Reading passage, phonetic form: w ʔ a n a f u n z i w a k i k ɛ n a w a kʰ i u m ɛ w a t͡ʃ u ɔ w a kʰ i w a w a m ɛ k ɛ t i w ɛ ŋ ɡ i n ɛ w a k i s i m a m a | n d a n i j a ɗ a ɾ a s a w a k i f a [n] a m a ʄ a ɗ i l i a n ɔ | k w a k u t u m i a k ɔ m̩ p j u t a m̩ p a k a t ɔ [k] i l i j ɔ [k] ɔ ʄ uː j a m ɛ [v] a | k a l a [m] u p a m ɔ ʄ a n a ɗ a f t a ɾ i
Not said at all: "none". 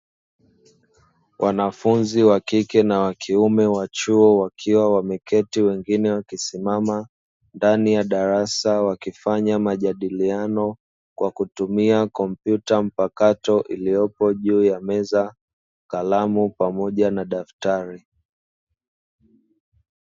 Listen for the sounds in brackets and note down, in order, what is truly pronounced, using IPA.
ɲ, ʔ, p, z, m

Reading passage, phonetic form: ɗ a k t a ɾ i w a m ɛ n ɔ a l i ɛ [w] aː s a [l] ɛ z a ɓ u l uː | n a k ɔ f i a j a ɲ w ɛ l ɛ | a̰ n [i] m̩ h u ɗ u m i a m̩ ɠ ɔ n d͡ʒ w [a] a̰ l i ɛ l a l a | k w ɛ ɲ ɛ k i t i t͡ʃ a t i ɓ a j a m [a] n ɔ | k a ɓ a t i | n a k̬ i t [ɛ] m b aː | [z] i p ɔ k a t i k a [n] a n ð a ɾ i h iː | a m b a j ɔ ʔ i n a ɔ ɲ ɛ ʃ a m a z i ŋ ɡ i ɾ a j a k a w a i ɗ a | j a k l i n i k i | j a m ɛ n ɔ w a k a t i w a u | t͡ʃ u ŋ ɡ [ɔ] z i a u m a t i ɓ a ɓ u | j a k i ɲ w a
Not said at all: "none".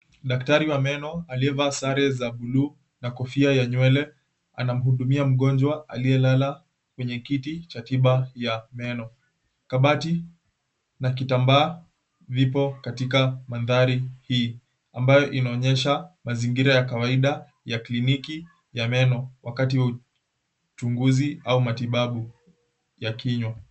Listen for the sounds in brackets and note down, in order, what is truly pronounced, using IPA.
v, ɾ, a, a, ɛ, a, v, m, u

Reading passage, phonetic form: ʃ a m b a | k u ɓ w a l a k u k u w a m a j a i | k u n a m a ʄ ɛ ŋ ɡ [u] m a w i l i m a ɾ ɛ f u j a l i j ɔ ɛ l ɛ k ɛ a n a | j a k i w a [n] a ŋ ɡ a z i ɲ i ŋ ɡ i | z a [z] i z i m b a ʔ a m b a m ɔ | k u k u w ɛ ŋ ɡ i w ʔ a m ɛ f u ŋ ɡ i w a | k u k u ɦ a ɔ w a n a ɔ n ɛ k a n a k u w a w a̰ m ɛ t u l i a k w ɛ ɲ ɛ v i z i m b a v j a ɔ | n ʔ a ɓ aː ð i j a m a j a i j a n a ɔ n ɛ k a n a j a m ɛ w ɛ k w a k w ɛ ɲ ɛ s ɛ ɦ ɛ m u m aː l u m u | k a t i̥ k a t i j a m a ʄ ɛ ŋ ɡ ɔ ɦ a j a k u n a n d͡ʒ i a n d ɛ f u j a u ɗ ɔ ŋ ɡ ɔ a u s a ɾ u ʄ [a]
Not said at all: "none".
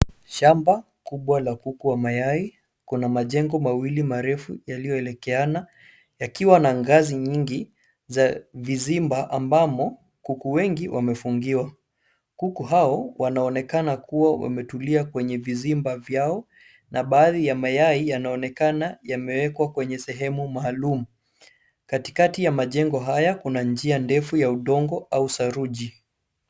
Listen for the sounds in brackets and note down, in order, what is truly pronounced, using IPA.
ɔ, n, v, i

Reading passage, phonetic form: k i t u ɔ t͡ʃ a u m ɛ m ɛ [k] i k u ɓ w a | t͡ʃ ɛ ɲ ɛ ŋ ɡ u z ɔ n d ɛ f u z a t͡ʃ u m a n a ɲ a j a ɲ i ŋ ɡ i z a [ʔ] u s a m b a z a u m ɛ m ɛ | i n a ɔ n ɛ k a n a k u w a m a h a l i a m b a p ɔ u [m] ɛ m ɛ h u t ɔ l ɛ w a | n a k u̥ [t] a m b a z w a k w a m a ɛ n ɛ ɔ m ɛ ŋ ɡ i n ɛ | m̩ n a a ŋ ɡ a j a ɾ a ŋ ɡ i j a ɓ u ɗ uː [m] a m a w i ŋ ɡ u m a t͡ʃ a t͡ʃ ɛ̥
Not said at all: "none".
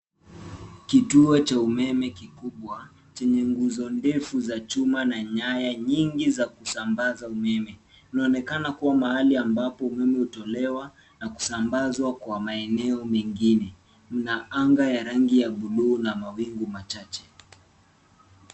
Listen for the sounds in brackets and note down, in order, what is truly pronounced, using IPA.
k, k, m, s, n

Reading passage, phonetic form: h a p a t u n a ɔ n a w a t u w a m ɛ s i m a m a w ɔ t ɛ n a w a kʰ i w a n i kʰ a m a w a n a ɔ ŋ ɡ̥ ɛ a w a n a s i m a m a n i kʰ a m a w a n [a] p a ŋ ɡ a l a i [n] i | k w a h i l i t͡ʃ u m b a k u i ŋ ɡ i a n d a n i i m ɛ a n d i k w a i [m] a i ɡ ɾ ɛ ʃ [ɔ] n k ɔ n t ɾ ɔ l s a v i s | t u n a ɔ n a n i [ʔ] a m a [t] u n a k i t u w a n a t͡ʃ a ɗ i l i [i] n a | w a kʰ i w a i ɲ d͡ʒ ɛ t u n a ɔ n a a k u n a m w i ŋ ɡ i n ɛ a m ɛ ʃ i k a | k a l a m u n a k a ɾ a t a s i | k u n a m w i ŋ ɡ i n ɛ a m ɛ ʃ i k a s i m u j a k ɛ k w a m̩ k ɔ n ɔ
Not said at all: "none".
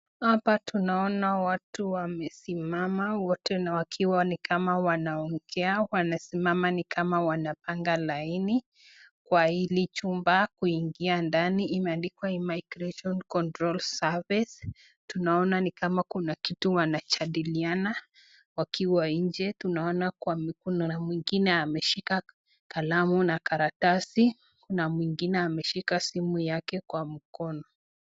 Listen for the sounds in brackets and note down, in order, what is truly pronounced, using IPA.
a, n, m, ɔ, k, k, a

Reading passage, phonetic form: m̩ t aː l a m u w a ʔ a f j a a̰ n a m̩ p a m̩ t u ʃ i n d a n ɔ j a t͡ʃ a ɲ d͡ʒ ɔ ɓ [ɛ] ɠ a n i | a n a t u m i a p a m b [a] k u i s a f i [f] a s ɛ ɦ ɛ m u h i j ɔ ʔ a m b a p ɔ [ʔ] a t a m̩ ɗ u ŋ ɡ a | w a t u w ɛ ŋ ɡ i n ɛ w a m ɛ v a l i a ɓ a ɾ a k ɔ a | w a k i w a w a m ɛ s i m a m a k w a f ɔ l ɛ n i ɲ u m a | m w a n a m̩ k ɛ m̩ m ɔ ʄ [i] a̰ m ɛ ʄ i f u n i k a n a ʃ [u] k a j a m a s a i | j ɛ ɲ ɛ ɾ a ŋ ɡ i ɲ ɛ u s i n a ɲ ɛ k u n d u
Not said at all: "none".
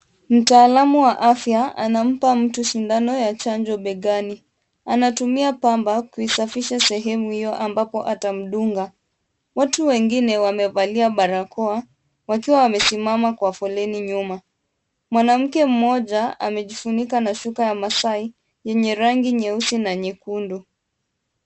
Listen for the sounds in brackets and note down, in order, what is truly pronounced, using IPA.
ɛ, a, ʃ, ʔ, a, u

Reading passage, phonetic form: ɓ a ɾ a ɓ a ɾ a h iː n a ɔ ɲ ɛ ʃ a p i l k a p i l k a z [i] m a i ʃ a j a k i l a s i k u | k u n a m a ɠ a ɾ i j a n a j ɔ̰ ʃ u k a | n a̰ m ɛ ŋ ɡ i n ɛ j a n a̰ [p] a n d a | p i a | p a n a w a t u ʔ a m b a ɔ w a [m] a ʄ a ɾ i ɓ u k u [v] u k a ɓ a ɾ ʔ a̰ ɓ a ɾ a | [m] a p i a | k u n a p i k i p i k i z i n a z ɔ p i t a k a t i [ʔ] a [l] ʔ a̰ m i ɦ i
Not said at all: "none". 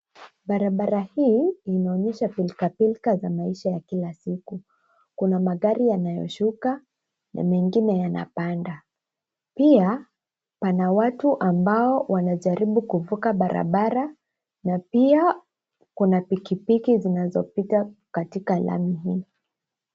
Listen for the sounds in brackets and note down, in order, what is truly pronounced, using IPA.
a, p, n, v, n, k, l

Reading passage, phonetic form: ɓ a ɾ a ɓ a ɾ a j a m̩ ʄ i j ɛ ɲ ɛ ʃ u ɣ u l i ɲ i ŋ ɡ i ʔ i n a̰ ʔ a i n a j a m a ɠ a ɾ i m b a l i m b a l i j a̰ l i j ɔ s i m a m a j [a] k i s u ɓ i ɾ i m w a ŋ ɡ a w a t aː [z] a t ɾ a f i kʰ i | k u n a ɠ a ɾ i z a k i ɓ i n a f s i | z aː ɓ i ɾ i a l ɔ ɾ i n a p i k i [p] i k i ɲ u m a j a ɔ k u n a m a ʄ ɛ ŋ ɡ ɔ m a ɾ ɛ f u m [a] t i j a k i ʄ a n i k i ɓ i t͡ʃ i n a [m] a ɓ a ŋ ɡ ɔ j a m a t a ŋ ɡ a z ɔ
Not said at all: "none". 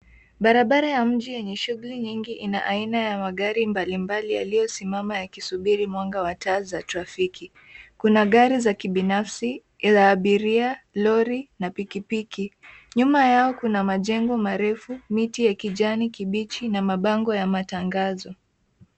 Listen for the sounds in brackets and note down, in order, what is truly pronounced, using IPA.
a, z, p, i, m

